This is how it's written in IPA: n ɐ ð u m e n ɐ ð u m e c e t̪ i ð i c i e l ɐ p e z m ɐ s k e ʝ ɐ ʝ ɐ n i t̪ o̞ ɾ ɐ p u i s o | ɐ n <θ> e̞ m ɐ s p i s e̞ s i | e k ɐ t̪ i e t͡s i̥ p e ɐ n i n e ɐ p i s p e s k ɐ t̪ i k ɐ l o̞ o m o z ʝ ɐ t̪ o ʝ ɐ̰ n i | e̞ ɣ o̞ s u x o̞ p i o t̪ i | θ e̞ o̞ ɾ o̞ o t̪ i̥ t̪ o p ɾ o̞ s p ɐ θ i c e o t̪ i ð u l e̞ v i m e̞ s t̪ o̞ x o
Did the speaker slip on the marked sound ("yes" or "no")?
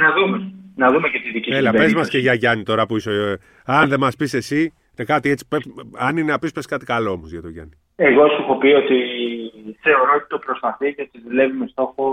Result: yes